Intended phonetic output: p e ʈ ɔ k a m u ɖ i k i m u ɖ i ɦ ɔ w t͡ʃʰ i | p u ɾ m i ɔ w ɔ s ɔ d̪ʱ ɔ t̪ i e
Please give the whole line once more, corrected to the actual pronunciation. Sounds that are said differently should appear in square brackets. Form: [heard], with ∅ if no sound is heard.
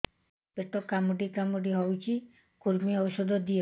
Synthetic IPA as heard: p e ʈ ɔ k a m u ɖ i k [a] m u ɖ i ɦ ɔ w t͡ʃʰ i | [k] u ɾ m i ɔ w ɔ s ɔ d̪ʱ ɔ [d̪] i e

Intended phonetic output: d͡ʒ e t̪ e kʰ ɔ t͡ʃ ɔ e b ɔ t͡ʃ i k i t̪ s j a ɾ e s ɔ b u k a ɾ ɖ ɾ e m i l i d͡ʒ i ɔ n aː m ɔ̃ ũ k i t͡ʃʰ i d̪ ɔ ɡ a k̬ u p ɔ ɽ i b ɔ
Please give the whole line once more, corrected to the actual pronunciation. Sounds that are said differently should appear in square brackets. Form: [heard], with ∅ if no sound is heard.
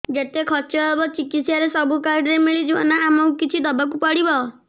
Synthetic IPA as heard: d͡ʒ e t̪ e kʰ ɔ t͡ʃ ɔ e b ɔ t͡ʃ i k i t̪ s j a ɾ e s ɔ b u k a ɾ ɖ ɾ e m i [ɭ] i d͡ʒ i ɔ n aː m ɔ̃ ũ k i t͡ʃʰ i d̪ ɔ [b] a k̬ u p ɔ ɽ i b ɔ

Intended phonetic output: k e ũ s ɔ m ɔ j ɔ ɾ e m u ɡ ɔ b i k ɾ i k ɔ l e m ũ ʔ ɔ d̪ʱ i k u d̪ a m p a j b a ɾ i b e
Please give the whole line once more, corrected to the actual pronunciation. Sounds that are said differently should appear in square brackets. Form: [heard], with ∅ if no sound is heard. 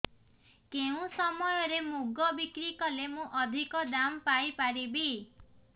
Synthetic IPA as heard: k e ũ s ɔ m ɔ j ɔ ɾ e m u ɡ ɔ b i k ɾ i k ɔ l e m ũ ʔ ɔ d̪ʱ i k [ɔ] d̪ a m p a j [p] a ɾ i b [i]

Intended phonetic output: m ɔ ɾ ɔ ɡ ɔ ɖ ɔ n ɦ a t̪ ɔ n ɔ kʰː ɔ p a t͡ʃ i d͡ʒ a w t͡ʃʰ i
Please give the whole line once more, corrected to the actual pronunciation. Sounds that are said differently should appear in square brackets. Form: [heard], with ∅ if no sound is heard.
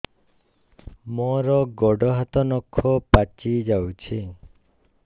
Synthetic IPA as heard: m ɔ ɾ ɔ ɡ ɔ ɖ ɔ [∅] ɦ a t̪ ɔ n ɔ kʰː ɔ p a t͡ʃ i d͡ʒ a w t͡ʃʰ i

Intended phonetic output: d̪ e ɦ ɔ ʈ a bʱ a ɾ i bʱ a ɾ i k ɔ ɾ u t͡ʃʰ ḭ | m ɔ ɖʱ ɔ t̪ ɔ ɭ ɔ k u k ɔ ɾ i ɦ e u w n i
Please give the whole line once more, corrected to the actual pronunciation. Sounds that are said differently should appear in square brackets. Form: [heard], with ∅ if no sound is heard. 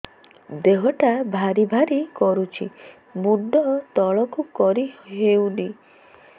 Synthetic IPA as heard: d̪ e ɦ ɔ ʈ a bʱ a ɾ i bʱ a ɾ i k ɔ ɾ u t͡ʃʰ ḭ | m [u] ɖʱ ɔ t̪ ɔ ɭ ɔ k u k ɔ ɾ i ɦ e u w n i

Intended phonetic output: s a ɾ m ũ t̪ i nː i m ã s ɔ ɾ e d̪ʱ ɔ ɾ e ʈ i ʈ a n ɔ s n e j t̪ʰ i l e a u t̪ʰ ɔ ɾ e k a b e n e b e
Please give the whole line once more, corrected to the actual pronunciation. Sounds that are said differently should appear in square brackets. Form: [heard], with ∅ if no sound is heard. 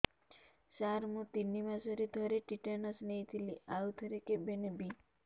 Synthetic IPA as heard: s a ɾ m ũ t̪ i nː i m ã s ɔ ɾ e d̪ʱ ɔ ɾ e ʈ i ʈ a n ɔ s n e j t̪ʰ i l [i] a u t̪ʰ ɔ ɾ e k [e] b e n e b [i]

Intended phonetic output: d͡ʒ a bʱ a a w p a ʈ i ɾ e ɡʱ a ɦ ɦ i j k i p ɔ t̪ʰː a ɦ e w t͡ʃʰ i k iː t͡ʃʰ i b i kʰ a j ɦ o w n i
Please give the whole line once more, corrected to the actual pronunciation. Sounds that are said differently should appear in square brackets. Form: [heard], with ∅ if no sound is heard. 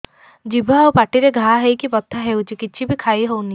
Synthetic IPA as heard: d͡ʒ [i] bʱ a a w p a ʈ i ɾ e ɡʱ a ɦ ɦ [e] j k i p ɔ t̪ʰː a ɦ e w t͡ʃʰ i k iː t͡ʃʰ i b i kʰ a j ɦ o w n i

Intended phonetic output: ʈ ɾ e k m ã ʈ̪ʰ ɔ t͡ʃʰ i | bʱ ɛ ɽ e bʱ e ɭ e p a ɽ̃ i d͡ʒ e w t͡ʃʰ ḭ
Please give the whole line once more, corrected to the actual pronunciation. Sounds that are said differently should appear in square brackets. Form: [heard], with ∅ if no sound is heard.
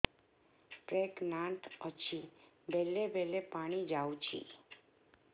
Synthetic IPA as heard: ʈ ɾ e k [n] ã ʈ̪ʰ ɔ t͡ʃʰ i | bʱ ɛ [l] e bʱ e [l] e p a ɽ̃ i d͡ʒ [a] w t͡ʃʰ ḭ

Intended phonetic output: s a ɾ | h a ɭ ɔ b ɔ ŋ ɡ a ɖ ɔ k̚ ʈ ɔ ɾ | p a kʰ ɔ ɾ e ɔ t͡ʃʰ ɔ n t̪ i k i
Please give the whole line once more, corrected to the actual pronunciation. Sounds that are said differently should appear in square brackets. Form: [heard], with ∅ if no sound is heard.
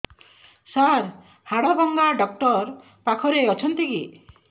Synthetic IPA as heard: s a ɾ | h a [ɽ] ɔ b ɔ ŋ ɡ a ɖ ɔ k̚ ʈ ɔ ɾ | p a kʰ ɔ ɾ e ɔ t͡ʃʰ ɔ n t̪ i k i

